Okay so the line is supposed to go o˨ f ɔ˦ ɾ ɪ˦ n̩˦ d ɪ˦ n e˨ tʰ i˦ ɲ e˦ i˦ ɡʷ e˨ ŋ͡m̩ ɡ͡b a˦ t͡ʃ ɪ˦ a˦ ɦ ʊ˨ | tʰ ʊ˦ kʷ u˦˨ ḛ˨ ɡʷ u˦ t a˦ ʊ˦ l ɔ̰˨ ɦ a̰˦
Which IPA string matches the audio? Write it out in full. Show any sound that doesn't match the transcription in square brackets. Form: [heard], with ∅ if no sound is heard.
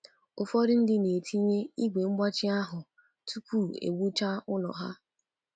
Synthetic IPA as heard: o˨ f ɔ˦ ɾ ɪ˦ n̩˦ d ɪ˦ n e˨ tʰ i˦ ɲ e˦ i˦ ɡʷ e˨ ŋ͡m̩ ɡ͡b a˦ t͡ʃ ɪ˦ a˦ ɦ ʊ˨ | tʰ [u˦] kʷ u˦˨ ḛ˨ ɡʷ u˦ [t͡ʃ] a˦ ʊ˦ l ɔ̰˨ ɦ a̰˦